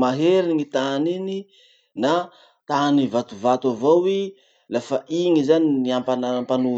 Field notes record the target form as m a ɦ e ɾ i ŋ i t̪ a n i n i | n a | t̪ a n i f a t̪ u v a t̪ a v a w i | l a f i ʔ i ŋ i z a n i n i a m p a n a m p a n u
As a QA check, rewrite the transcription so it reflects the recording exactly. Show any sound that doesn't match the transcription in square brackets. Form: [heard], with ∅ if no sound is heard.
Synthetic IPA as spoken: m a ɦ e ɾ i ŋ i t̪ a n i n i | n a | t̪ a n i [v] a t̪ u v a t̪ a v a w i | l a f [a] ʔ i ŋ i z a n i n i a m p a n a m p a n u